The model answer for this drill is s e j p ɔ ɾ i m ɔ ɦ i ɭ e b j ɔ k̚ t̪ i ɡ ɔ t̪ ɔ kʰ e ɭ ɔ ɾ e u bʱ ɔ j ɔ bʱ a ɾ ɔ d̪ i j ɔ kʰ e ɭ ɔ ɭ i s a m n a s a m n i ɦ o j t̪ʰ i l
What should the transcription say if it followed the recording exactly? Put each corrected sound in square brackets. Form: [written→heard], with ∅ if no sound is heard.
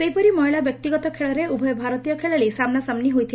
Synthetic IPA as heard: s e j p ɔ ɾ i m ɔ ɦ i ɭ [e→a] b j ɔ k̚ t̪ i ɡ ɔ t̪ ɔ kʰ e ɭ ɔ ɾ e u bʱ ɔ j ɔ bʱ a ɾ ɔ [d̪→t̪] i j ɔ kʰ e ɭ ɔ ɭ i s a m n a s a m n i ɦ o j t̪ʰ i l